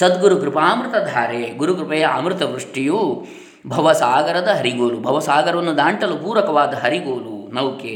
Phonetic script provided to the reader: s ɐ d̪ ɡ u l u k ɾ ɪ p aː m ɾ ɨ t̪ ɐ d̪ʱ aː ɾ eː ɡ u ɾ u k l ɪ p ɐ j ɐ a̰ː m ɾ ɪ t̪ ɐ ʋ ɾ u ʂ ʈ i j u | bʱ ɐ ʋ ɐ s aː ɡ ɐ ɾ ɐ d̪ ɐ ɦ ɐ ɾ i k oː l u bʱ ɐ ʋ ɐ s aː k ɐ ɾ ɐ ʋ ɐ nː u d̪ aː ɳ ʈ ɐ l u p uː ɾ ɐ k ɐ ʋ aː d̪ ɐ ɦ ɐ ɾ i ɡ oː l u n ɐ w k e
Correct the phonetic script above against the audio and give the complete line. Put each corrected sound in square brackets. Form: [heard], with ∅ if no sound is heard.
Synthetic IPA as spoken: s ɐ d̪ ɡ u [ɾ] u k ɾ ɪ p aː m ɾ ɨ t̪ ɐ d̪ʱ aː ɾ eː ɡ u ɾ u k [ɾ] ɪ p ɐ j ɐ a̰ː m ɾ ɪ t̪ ɐ ʋ ɾ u ʂ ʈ i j u | bʱ ɐ ʋ ɐ s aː ɡ ɐ ɾ ɐ d̪ ɐ ɦ ɐ ɾ i [ɡ] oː l u bʱ ɐ ʋ ɐ s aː [ɡ] ɐ ɾ ɐ ʋ ɐ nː u d̪ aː ɳ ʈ ɐ l u p uː ɾ ɐ k ɐ ʋ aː d̪ ɐ ɦ ɐ ɾ i ɡ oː l u n ɐ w k e